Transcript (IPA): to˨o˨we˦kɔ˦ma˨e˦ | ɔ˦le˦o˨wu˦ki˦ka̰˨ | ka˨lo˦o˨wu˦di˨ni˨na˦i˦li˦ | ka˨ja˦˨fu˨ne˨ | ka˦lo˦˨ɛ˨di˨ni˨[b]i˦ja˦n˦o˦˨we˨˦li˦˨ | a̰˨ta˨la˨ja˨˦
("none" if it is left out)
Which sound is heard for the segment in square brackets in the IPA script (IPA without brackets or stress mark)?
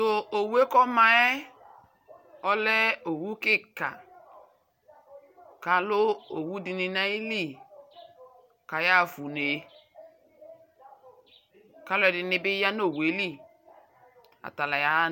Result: b